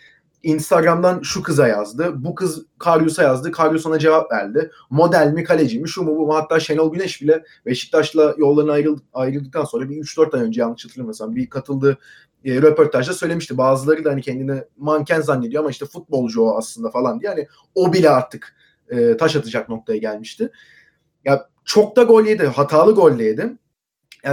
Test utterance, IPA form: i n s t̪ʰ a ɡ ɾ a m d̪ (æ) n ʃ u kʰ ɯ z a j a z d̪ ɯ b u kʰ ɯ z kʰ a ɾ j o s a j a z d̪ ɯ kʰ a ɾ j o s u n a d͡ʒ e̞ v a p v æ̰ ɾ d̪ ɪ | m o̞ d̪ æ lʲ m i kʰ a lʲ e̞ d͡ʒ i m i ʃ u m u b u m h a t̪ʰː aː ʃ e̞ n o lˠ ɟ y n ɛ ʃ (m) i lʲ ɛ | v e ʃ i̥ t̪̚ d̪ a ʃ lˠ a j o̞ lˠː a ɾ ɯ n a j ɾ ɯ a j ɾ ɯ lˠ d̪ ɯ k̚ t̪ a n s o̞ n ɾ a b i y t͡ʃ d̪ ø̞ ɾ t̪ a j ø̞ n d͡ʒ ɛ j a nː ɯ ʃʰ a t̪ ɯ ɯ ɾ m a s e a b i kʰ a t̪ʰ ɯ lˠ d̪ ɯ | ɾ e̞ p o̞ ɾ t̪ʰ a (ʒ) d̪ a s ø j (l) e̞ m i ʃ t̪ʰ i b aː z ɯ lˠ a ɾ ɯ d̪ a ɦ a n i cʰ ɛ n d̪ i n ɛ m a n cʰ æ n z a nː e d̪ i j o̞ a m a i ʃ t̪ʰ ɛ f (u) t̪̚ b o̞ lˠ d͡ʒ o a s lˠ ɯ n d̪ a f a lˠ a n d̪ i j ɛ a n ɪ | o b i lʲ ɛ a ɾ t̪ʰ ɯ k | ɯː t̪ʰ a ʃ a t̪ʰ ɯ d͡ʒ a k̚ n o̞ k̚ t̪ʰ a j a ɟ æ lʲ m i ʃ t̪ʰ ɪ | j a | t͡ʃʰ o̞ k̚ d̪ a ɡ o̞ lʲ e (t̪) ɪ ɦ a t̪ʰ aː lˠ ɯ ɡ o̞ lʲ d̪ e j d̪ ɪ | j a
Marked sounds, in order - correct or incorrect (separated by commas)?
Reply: incorrect, incorrect, correct, correct, correct, incorrect